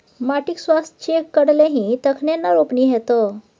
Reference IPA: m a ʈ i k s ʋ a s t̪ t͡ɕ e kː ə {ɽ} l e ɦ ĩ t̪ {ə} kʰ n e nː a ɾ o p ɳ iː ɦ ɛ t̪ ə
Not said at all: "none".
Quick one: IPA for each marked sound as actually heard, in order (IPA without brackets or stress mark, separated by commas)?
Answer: ɽ, ə